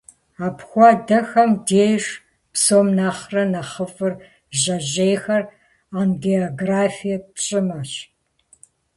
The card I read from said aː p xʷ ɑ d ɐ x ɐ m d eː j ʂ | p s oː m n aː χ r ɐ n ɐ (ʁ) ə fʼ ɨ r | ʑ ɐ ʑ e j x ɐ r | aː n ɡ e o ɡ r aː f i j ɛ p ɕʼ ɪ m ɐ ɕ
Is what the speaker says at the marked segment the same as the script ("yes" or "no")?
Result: no